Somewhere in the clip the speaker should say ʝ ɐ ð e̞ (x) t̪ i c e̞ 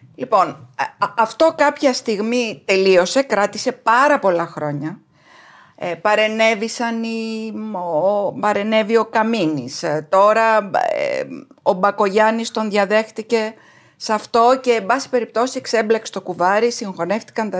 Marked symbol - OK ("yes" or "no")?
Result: yes